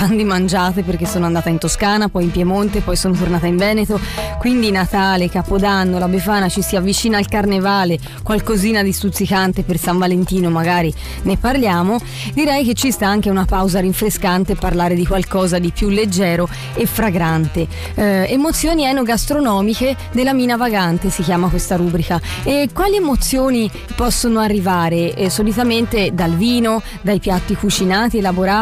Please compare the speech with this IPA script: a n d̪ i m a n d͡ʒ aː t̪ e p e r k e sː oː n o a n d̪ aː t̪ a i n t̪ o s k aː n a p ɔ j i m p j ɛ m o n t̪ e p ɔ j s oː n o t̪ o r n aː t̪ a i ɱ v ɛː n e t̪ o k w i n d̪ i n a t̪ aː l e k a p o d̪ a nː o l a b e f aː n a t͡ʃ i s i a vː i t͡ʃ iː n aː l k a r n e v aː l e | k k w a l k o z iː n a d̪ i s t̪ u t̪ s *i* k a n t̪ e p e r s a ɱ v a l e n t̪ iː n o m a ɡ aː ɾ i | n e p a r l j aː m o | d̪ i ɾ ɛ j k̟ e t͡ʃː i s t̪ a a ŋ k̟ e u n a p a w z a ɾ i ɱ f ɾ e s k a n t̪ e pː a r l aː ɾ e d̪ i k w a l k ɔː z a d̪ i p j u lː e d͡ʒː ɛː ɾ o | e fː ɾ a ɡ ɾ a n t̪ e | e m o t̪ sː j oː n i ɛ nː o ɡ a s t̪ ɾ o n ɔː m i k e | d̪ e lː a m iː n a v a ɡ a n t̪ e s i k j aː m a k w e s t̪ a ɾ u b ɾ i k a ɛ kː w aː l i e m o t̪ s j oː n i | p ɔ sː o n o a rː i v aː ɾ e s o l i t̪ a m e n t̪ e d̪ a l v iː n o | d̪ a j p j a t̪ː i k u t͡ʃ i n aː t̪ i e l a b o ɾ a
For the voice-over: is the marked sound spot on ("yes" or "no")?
yes